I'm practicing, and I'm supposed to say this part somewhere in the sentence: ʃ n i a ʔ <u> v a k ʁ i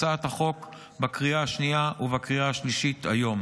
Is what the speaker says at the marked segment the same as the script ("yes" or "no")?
yes